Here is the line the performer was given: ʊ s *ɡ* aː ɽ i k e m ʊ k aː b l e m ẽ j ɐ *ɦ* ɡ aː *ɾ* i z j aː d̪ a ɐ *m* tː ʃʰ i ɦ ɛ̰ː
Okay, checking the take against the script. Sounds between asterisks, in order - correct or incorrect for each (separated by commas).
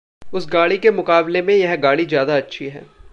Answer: correct, correct, incorrect, incorrect